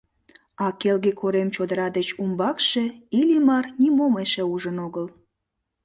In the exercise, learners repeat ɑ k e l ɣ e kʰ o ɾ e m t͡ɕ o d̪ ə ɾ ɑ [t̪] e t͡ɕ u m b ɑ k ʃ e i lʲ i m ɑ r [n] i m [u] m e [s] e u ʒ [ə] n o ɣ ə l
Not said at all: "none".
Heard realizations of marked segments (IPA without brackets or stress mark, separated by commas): d̪, n, o, ʃ, ə